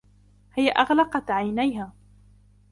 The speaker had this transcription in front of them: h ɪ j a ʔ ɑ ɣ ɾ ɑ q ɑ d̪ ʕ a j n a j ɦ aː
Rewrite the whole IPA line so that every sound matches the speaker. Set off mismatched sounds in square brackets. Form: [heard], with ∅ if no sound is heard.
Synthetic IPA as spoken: h ɪ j a ʔ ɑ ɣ [l] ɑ q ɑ [t̪] ʕ a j n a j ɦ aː